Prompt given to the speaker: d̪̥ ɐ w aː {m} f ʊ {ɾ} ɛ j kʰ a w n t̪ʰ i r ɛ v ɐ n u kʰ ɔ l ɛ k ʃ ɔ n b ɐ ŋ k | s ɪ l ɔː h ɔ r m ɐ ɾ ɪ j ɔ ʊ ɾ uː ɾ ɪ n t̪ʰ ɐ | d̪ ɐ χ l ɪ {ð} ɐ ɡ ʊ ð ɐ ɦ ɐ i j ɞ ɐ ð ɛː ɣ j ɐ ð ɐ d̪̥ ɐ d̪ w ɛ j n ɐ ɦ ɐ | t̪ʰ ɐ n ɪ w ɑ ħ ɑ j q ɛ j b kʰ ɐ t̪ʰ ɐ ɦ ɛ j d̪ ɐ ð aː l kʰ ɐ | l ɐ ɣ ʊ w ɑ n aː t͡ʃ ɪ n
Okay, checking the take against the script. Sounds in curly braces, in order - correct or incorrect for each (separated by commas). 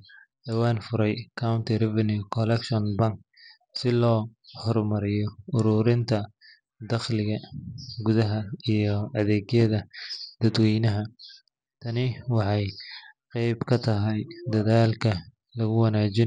incorrect, correct, incorrect